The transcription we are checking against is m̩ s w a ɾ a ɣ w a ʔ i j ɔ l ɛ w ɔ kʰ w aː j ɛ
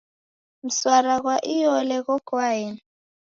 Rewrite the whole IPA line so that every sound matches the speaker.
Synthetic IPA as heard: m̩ s w a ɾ a ɣ w a ʔ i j ɔ l ɛ ɣ ɔ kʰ w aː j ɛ